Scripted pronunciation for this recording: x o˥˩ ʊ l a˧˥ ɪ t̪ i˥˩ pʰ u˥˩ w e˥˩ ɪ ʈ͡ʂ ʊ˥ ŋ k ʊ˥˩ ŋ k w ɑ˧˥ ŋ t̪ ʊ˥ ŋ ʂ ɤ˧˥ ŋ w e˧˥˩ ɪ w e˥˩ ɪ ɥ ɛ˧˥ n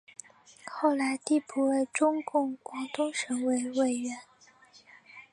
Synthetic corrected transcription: x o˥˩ ʊ l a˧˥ ɪ t̪ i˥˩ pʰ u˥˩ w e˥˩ ɪ ʈ͡ʂ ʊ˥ ŋ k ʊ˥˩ ŋ k w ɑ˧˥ ŋ t̪ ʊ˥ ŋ ʂ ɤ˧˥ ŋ w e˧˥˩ ɪ w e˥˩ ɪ ɥ ɛ˧˥ n